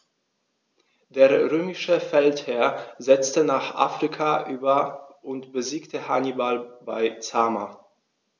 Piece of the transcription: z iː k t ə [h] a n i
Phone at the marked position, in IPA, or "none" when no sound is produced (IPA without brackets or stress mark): h